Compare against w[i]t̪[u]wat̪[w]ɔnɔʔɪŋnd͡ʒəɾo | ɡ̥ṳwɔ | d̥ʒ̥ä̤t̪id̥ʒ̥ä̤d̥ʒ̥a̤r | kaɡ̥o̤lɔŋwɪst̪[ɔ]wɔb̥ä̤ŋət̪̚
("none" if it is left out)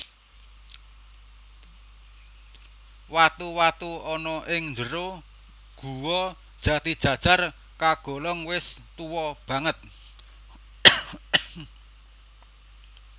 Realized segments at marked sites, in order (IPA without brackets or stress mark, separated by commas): a, u, u, u